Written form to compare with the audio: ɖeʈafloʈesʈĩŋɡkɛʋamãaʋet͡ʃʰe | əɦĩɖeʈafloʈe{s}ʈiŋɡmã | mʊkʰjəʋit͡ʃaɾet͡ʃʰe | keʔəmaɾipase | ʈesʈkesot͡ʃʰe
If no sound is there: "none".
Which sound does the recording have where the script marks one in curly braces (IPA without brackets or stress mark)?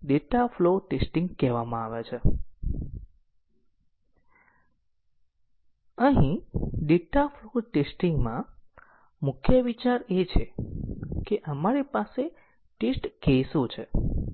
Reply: s